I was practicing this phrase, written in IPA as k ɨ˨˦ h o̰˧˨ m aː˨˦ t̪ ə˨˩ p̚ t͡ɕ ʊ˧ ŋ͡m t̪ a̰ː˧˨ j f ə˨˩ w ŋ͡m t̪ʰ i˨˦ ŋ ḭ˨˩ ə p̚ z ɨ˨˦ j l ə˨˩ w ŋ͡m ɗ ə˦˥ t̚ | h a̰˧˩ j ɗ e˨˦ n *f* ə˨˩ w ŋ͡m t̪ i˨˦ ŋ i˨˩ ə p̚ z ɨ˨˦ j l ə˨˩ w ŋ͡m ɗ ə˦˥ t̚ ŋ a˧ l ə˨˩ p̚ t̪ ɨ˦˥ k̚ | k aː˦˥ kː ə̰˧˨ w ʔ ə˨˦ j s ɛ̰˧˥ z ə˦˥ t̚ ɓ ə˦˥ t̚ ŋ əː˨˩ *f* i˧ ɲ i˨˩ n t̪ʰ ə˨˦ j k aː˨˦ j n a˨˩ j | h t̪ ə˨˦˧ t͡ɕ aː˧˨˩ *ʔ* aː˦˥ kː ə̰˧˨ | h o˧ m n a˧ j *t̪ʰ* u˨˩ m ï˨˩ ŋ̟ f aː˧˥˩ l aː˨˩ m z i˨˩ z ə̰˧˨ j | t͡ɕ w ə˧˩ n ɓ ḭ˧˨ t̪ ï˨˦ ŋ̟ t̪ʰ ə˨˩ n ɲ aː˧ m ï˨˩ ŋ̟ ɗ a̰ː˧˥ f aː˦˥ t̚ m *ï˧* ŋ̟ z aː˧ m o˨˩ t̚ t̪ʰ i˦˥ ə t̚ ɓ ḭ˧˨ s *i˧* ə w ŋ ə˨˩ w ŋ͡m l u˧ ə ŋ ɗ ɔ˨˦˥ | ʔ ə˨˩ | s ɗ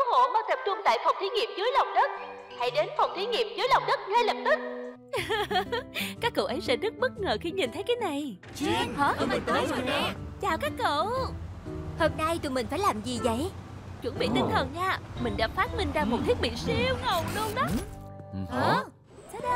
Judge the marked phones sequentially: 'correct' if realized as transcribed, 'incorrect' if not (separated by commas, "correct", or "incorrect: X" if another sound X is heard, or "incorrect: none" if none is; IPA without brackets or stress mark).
correct, incorrect: x, incorrect: k, incorrect: t̪, correct, correct